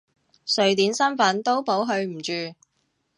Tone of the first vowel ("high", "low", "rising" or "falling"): low